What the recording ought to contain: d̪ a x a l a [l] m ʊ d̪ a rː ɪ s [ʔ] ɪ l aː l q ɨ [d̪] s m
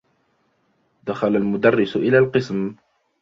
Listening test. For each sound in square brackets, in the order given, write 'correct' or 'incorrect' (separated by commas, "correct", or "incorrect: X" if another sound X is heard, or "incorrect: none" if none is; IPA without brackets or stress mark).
correct, correct, incorrect: none